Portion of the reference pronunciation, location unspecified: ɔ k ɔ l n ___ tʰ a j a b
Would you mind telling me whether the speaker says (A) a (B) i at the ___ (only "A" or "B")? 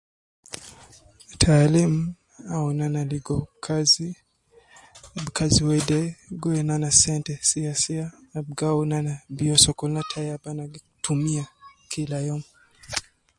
A